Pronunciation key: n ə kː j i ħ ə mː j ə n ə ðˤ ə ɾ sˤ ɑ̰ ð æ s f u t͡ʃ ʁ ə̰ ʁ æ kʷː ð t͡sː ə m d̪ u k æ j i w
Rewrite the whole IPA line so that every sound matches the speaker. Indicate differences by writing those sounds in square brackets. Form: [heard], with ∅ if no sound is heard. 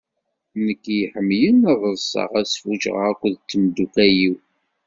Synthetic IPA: n ə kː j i ħ ə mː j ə n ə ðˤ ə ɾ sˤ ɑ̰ [ʁ] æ s f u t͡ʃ ʁ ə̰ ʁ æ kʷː ð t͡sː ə m d̪ u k æ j i w